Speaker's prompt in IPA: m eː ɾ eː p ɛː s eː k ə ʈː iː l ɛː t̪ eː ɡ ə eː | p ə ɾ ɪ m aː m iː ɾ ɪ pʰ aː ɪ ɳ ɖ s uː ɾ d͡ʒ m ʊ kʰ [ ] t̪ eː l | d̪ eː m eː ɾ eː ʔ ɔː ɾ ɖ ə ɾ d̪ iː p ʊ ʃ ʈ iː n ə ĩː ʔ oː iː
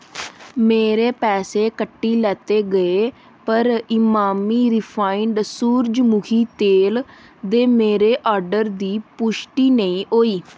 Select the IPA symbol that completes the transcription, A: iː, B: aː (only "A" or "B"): A